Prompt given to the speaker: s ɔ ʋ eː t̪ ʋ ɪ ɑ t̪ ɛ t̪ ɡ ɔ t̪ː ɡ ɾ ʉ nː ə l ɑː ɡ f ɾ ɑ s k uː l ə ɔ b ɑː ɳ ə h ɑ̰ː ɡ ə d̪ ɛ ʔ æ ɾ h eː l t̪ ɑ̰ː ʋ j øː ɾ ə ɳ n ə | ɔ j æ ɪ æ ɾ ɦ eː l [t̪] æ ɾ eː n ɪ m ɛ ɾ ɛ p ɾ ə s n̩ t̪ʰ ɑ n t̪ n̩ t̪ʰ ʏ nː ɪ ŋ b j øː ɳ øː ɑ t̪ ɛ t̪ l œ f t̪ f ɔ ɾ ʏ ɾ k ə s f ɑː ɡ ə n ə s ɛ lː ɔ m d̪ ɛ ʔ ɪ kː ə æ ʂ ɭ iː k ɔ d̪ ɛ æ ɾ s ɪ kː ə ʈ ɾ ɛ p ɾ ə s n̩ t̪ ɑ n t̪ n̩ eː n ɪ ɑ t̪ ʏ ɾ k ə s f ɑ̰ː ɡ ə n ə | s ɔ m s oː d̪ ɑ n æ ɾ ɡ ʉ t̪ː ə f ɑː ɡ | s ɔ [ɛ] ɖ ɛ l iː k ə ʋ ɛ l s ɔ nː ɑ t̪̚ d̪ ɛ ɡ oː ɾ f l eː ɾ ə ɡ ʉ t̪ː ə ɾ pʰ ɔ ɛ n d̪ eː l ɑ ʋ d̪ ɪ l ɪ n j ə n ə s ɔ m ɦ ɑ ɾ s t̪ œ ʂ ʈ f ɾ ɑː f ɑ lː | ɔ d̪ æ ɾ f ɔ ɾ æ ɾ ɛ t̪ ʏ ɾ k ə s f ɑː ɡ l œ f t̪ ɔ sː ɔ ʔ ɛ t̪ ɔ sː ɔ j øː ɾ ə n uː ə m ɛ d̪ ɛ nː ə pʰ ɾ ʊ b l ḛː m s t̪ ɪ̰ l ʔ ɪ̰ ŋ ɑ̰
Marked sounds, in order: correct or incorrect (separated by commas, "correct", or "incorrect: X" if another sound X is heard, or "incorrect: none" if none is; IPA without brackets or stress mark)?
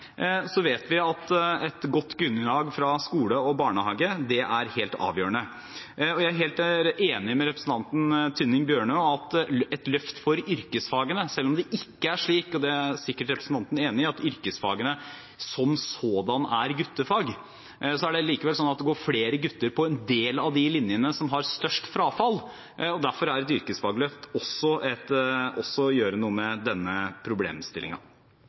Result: correct, incorrect: æ